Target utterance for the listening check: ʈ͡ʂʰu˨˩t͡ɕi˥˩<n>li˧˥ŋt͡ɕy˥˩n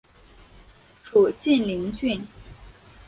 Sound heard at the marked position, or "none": n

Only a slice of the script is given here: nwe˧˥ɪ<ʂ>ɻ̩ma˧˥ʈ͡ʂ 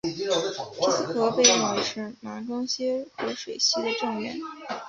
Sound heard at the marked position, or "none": ʂ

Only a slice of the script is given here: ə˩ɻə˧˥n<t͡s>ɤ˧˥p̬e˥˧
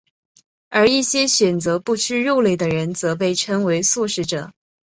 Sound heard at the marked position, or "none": t͡s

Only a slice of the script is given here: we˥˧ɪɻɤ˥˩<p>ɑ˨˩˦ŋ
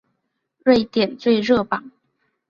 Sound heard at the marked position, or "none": p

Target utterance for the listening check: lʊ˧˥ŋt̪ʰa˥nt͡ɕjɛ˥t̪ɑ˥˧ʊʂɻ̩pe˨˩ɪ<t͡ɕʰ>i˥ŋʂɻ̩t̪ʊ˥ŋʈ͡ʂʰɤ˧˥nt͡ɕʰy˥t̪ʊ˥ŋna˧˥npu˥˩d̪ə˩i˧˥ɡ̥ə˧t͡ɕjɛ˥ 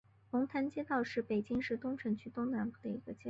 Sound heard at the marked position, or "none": t͡ɕ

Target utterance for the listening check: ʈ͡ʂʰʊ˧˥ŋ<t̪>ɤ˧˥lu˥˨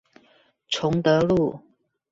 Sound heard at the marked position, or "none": t̪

